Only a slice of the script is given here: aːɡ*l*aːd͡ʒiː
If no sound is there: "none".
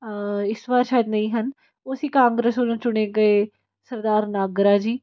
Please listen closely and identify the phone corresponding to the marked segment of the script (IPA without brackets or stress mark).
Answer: ɾ